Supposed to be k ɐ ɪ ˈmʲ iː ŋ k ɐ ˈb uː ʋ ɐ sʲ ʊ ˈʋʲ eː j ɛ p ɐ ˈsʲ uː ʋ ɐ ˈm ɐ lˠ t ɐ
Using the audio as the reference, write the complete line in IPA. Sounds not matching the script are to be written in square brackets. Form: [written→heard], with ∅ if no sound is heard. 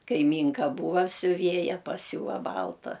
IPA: k ɐ ɪ ˈmʲ iː ŋ k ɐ ˈb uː ʋ ɐ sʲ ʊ ˈʋʲ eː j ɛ p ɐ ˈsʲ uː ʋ ɐ [ˈm→ˈb] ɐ lˠ t ɐ